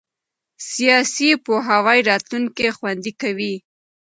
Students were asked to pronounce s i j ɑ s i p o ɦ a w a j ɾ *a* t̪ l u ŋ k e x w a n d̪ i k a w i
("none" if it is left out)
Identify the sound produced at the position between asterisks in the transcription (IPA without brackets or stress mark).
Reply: ɑ